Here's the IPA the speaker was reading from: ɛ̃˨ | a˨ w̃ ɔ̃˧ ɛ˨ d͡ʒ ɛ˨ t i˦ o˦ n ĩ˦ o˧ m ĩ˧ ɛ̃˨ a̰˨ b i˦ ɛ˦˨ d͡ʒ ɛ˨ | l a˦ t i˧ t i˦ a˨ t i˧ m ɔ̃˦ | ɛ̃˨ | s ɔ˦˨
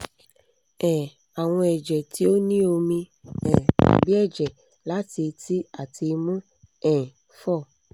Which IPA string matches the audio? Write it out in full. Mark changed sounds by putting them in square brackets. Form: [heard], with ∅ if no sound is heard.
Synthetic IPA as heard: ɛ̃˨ | a˨ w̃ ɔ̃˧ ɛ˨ d͡ʒ ɛ˨ t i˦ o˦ n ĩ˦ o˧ m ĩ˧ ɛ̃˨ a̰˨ b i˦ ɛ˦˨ d͡ʒ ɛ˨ | l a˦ t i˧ t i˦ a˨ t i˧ m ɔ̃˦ | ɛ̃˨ | [f] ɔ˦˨